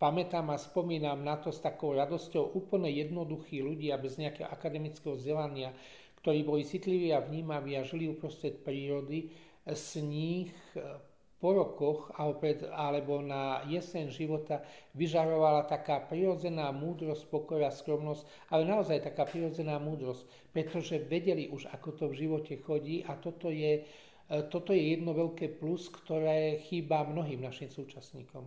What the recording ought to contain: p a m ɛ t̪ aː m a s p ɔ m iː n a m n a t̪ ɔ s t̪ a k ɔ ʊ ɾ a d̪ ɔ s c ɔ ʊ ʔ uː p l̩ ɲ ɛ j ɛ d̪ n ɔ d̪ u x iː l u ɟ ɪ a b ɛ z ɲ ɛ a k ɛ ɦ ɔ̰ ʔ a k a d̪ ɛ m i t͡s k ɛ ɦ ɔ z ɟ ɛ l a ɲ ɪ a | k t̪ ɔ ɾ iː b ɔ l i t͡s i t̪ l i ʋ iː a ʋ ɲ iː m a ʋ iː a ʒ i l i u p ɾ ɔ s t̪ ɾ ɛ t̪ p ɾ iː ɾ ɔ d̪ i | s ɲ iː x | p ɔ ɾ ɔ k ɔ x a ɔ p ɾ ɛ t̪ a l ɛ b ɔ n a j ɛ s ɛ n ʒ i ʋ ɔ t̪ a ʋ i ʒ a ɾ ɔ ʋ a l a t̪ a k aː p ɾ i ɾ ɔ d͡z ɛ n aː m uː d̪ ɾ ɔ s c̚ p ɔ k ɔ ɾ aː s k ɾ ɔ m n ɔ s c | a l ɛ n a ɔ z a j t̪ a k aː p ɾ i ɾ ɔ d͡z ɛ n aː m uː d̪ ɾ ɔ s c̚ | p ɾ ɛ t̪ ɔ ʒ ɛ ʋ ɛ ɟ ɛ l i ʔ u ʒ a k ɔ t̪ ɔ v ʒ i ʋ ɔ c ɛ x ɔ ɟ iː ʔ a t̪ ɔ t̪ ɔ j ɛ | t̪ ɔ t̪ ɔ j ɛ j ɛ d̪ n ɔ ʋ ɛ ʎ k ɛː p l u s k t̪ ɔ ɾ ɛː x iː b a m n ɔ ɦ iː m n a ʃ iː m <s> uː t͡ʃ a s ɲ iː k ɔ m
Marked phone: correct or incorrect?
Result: correct